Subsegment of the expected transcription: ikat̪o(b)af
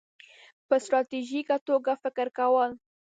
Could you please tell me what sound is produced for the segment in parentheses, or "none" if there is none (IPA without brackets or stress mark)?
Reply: ɡ